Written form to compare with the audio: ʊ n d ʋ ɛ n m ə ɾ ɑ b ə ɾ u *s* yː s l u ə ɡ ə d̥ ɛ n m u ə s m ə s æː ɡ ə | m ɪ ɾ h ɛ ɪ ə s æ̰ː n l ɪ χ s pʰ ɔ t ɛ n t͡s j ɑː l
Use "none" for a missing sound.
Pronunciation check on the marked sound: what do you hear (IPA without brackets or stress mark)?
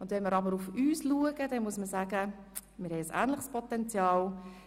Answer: f